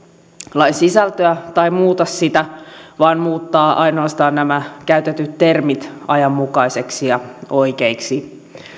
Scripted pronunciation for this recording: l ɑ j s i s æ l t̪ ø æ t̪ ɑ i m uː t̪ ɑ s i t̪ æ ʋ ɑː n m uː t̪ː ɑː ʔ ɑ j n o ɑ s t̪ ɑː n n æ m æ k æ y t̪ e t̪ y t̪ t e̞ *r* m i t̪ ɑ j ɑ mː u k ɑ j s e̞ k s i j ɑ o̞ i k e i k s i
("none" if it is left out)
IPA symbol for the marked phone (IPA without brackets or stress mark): r